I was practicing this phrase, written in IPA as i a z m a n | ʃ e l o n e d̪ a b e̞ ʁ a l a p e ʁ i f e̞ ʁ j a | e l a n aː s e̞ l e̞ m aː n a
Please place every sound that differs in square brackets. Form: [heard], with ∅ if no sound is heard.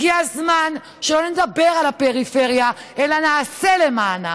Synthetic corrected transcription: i a z m a n | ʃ e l o n e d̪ a b e̞ ʁ a l a p e ʁ i f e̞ ʁ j a | e l a n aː s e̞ l e̞ m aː n a